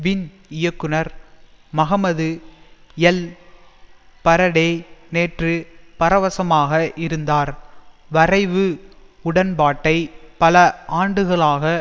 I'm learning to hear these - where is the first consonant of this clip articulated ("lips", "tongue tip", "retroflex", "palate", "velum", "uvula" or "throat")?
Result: lips